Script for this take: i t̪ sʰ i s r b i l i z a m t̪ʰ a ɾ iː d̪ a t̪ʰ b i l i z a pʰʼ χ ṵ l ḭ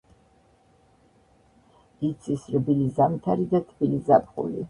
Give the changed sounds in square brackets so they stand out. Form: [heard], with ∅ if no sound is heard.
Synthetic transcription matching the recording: i t̪ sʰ i s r b i l i z a m t̪ʰ a ɾ [i] d̪ a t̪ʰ b i l i z a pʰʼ χ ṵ l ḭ

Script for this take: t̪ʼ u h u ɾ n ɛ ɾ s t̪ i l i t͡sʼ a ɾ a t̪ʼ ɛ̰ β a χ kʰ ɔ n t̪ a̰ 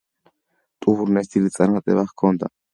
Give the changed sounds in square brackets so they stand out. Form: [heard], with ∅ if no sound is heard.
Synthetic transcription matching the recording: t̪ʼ u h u ɾ n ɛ [∅] s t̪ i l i t͡sʼ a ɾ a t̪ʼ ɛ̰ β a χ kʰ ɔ n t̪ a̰

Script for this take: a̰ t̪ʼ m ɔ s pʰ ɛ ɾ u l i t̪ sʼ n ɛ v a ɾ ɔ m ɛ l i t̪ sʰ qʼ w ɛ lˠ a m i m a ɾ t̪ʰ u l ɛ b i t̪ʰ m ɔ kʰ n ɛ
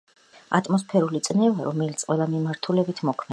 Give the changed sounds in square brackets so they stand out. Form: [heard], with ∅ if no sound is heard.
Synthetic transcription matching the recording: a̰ t̪ʼ m ɔ s pʰ ɛ ɾ u l i t̪ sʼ n ɛ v a ɾ ɔ m ɛ l i t̪ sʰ qʼ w ɛ lˠ a m i m a ɾ t̪ʰ u l ɛ b i t̪ʰ m ɔ kʰ [m] ɛ

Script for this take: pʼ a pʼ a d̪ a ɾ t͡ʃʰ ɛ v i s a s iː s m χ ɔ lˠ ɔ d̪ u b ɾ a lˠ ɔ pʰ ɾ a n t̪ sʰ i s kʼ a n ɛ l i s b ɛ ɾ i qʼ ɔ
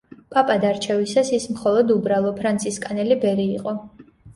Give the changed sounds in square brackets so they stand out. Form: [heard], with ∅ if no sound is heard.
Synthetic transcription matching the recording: pʼ a pʼ a d̪ a ɾ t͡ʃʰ ɛ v i s a s [i] s m χ ɔ lˠ ɔ d̪ u b ɾ a lˠ ɔ pʰ ɾ a n t̪ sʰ i s kʼ a n ɛ l i [∅] b ɛ ɾ [iː] qʼ ɔ

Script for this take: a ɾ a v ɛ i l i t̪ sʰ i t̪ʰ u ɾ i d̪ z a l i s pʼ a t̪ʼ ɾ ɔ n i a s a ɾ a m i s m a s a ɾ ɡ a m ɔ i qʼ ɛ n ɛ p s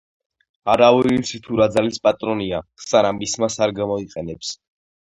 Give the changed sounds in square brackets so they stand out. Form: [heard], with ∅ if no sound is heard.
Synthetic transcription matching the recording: a ɾ a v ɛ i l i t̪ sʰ i t̪ʰ u ɾ [a] d̪ z a l i s pʼ a t̪ʼ ɾ ɔ n i a s a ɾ a m i s m a s a ɾ ɡ a m ɔ i qʼ ɛ n ɛ p s

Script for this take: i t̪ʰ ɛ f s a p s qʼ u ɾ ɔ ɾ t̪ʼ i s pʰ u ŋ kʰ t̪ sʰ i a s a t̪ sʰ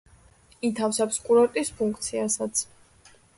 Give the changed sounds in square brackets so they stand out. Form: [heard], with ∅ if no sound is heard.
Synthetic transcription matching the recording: i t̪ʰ [a] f s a p s [kʼ] u ɾ ɔ ɾ t̪ʼ i s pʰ u ŋ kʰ t̪ sʰ i a s a t̪ sʰ

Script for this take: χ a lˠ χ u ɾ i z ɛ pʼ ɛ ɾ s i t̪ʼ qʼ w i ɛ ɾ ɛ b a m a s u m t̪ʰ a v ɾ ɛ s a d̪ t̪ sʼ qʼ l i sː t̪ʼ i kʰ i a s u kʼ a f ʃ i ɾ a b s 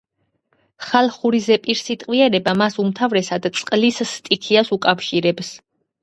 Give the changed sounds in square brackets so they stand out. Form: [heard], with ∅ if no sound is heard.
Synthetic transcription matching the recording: χ a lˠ χ u ɾ i z ɛ pʼ [i] ɾ s i t̪ʼ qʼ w i ɛ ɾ ɛ b a m a s u m t̪ʰ a v ɾ ɛ s a d̪ t̪ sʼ qʼ l i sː t̪ʼ i kʰ i a s u kʼ a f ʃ i ɾ [ɛ] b s

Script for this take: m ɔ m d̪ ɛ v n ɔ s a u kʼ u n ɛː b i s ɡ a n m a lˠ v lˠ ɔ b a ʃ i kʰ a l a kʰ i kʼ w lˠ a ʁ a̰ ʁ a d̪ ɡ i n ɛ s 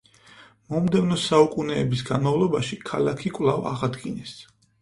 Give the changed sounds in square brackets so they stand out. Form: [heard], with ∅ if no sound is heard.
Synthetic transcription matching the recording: m ɔ m d̪ ɛ v n ɔ s a u kʼ u n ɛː b i s ɡ a n m a [∅] v lˠ ɔ b a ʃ i kʰ a l a kʰ i kʼ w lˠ a [v] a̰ ʁ a d̪ ɡ i n ɛ s

